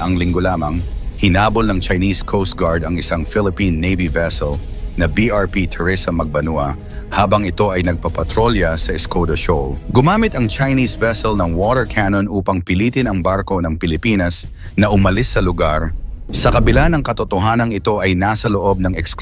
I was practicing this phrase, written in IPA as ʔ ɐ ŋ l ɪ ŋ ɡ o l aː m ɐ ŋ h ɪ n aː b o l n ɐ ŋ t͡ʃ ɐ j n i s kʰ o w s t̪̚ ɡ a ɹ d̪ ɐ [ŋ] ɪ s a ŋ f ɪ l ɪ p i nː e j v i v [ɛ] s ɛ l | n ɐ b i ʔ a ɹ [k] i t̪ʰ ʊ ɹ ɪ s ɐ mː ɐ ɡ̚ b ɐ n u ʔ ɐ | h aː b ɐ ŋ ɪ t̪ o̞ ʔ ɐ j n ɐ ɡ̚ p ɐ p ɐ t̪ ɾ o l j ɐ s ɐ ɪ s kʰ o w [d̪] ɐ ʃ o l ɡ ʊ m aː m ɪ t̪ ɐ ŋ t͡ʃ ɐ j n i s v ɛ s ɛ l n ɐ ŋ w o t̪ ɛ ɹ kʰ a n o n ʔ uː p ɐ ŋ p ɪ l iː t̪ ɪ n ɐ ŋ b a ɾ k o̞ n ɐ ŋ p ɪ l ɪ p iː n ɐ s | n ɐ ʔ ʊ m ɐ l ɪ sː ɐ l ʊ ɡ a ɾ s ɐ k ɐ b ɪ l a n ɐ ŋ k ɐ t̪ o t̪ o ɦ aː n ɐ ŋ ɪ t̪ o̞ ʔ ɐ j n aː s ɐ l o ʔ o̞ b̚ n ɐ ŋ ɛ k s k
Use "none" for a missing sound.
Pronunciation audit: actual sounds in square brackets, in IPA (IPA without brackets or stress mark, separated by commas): ŋ, ɛ, p, d̪